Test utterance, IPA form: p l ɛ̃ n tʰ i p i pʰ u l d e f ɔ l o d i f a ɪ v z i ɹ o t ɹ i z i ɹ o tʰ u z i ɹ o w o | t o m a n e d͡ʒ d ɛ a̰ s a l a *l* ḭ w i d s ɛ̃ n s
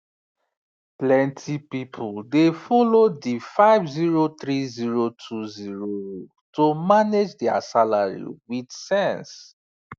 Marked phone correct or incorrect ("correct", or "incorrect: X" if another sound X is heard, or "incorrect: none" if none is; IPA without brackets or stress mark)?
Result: incorrect: ɹ